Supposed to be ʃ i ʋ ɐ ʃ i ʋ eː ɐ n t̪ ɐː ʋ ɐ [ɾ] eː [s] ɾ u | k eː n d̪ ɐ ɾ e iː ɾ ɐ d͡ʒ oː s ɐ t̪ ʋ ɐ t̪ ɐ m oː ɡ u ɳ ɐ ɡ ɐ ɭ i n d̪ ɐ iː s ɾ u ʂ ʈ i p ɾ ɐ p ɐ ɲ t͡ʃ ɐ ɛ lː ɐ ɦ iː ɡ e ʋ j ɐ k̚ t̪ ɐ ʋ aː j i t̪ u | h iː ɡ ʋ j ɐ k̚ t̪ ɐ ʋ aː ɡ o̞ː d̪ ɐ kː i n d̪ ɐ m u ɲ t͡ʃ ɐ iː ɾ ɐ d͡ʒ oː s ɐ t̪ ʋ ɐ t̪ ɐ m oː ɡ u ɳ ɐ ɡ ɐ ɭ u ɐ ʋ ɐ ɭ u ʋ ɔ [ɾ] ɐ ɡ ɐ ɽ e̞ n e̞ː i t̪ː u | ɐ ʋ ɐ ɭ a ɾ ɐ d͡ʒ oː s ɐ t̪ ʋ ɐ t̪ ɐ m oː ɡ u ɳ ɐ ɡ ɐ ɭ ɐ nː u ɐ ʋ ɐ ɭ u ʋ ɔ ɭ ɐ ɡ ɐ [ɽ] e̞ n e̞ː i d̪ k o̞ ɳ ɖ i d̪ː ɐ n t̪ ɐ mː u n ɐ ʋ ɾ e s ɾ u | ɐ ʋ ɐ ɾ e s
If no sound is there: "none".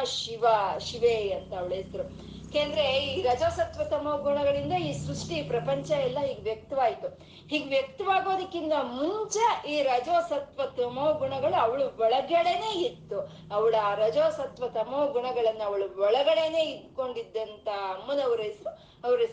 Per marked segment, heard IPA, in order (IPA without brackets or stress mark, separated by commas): ɭ, s, ɭ, ɽ